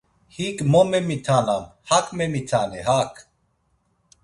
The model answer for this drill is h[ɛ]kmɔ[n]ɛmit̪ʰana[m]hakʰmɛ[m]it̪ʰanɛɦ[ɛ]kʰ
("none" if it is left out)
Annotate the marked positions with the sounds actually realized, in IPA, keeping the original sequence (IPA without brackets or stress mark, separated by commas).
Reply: i, m, m, m, a